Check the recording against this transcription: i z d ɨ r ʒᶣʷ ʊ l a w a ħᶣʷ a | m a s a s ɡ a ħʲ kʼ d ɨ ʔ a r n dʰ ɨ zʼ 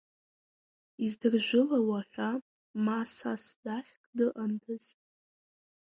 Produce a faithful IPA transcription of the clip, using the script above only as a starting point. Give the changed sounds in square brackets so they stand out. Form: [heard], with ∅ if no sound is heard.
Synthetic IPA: i z d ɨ r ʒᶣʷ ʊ l a w a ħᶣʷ a | m a s a s [d] a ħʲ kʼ d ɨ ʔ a [∅] n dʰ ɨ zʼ